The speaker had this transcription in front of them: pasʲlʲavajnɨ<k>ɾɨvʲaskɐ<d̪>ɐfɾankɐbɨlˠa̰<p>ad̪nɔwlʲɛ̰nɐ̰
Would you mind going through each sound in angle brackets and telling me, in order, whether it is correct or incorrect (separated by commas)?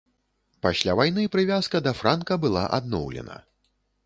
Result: incorrect, correct, incorrect